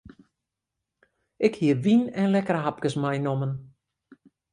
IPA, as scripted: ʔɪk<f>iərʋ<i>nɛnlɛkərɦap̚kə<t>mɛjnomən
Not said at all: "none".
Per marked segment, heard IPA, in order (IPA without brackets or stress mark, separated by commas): h, i, s